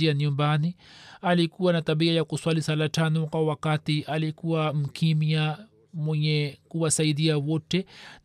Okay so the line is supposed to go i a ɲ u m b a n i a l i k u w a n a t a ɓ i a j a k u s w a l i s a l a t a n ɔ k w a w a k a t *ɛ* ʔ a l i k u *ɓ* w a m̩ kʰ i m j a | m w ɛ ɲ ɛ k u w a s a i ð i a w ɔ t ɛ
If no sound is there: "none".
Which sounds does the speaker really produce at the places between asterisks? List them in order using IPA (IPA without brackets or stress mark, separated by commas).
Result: i, none